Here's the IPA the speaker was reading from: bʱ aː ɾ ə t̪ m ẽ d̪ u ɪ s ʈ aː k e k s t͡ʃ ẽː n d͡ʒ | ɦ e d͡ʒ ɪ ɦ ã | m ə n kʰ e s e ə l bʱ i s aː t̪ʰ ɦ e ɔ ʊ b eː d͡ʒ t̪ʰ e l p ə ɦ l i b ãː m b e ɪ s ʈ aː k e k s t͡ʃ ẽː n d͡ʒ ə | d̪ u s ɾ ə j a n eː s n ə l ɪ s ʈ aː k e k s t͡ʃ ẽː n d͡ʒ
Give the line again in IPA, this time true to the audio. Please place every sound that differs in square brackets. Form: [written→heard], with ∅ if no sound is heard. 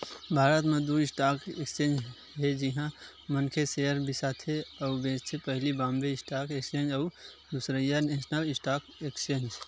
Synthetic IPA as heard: bʱ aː ɾ ə t̪ m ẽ d̪ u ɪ s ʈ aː k e k s t͡ʃ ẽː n d͡ʒ | ɦ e d͡ʒ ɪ ɦ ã | m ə n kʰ e s e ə [l→ɾ] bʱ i s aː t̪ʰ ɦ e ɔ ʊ b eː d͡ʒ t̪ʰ e [l→∅] p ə ɦ l i b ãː m b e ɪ s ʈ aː k e k s t͡ʃ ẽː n d͡ʒ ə | d̪ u s ɾ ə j a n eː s n ə l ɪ s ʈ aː k e k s t͡ʃ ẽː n d͡ʒ